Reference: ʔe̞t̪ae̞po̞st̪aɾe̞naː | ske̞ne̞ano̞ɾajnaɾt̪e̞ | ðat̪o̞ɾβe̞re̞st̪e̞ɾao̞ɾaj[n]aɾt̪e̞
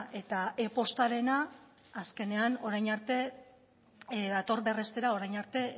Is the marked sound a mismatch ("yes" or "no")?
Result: no